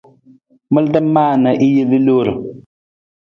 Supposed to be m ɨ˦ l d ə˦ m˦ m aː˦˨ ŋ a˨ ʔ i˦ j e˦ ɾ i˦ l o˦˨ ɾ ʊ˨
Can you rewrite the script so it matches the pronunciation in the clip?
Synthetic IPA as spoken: m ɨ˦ l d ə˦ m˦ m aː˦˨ n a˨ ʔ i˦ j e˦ l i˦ l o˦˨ ɾ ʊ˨